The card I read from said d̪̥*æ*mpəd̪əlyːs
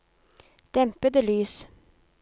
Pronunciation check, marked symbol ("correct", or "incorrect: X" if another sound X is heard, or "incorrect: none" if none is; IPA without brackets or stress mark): incorrect: ɛ